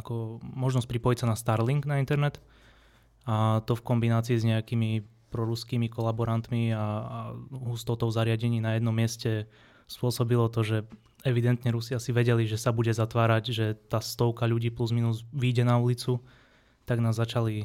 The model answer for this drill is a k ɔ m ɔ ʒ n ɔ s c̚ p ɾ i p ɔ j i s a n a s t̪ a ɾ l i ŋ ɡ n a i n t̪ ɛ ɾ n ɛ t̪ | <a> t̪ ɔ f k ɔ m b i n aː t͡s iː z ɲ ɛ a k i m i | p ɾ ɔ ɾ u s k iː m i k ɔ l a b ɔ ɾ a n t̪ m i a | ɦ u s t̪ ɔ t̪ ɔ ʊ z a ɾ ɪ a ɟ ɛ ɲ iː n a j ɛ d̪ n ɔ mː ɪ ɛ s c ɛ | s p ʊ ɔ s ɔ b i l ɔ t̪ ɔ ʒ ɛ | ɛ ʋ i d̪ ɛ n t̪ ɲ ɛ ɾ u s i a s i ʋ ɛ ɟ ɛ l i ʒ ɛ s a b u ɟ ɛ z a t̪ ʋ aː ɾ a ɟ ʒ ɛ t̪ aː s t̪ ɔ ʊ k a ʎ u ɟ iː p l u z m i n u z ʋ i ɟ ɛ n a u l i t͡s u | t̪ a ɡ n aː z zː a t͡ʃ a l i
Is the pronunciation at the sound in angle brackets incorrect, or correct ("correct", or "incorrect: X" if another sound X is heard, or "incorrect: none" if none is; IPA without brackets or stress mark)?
correct